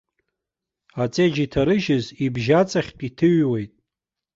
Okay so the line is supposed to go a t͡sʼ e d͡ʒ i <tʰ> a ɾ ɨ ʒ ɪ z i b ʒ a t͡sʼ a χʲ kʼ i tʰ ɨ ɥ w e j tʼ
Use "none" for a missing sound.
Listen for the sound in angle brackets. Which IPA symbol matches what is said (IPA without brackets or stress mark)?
tʰ